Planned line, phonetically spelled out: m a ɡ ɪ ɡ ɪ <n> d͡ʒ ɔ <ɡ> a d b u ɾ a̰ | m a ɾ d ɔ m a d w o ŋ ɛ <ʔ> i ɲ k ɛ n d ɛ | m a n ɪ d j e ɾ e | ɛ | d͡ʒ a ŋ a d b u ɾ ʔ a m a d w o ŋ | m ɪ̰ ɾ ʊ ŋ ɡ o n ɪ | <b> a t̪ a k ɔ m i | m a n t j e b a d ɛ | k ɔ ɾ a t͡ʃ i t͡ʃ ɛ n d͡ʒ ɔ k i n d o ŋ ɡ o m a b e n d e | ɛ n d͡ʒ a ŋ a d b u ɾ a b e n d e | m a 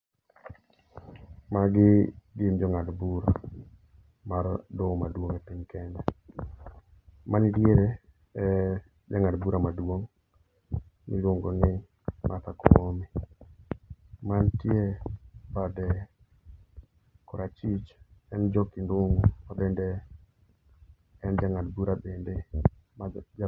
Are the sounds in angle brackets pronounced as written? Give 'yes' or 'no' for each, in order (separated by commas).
no, no, no, no